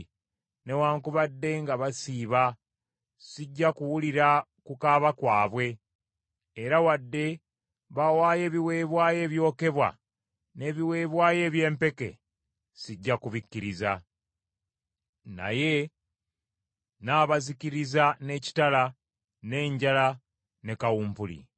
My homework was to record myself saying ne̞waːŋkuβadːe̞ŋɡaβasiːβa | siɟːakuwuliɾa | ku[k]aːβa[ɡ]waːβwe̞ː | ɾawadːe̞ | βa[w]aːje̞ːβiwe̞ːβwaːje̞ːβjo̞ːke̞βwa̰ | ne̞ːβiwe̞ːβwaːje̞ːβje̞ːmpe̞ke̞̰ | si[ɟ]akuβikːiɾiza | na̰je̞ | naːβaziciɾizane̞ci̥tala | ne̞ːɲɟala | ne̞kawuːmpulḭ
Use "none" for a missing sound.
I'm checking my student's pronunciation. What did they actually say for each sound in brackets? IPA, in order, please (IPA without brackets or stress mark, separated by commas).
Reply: k, k, w, ɟː